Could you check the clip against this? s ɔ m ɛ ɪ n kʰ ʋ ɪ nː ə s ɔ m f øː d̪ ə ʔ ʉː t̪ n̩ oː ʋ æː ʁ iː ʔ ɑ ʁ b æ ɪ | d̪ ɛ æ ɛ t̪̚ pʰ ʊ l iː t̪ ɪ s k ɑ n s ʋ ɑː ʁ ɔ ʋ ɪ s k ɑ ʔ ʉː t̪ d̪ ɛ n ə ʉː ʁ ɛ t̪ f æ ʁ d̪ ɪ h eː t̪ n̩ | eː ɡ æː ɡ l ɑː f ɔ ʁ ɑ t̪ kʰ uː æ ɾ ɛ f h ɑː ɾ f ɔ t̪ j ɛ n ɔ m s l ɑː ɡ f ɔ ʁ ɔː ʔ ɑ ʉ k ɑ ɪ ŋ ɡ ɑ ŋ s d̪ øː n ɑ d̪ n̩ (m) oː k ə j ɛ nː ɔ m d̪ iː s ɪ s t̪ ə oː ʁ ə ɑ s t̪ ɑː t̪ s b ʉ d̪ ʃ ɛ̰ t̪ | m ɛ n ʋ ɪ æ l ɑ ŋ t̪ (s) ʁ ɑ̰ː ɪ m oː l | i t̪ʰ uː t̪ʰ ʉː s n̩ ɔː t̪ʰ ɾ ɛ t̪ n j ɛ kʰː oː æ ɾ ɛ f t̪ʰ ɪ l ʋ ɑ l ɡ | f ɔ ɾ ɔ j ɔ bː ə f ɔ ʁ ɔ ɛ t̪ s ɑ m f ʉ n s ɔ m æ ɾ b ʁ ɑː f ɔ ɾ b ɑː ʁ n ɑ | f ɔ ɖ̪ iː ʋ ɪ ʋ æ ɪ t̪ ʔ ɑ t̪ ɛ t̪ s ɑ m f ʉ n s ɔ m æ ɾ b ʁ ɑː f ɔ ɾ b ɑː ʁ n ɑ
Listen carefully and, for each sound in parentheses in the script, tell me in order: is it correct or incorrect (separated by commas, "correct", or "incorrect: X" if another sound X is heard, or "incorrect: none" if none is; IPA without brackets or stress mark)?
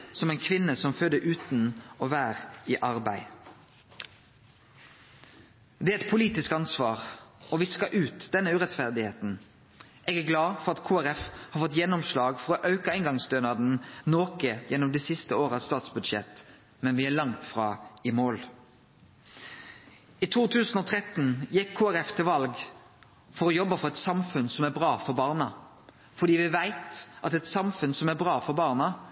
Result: incorrect: n, incorrect: f